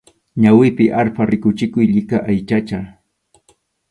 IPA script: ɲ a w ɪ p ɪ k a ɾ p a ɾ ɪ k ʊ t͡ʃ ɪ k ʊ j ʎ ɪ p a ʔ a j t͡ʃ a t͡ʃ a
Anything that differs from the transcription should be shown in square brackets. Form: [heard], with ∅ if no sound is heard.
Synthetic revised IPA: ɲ a w ɪ p ɪ [ʔ] a ɾ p a ɾ ɪ k ʊ t͡ʃ ɪ k ʊ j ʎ ɪ [k] a ʔ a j t͡ʃ a t͡ʃ a